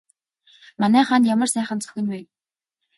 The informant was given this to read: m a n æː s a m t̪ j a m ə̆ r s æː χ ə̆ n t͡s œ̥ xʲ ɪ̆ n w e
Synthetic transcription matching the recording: m a n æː χ a n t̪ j a m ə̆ r s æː χ ə̆ n t͡s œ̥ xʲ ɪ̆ n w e